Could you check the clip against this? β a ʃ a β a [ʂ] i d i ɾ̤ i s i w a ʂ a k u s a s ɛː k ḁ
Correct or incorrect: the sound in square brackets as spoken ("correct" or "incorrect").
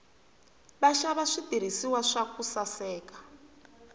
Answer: correct